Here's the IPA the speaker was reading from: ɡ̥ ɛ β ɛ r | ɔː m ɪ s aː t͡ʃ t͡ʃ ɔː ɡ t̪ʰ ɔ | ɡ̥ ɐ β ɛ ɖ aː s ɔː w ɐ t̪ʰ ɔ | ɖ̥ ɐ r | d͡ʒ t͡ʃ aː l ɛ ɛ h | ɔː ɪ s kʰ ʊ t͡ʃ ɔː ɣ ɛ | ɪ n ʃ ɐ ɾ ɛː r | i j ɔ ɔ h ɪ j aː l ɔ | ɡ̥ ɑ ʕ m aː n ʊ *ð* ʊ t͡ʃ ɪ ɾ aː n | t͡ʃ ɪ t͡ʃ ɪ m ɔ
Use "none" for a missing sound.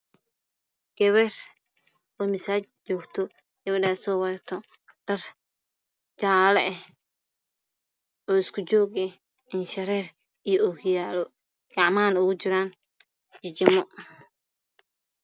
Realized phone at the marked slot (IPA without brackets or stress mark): ɣ